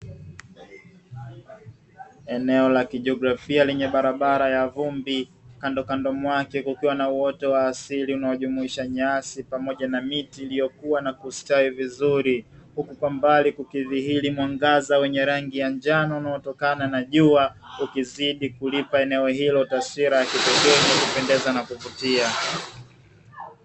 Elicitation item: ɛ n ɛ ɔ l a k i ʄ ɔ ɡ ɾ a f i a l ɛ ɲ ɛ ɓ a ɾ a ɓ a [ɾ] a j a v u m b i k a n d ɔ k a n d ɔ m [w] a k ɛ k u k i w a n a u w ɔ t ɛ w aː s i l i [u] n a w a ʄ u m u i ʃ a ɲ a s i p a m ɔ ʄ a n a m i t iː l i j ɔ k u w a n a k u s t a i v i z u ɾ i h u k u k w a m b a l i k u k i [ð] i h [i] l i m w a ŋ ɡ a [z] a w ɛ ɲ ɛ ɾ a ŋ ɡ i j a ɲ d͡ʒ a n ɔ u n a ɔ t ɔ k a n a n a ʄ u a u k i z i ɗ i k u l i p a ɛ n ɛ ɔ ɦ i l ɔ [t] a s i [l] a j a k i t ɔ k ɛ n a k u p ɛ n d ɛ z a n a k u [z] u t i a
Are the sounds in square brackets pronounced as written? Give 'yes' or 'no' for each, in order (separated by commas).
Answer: yes, yes, yes, yes, yes, yes, yes, no, no